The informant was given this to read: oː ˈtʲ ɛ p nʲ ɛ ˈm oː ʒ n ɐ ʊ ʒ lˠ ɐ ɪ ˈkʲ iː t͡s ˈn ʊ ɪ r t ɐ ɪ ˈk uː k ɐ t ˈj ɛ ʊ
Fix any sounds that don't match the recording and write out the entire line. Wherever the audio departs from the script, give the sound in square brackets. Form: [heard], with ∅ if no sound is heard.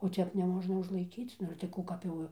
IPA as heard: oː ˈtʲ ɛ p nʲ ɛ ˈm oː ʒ n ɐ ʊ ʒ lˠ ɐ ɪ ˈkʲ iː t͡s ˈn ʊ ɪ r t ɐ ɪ ˈk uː k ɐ [p] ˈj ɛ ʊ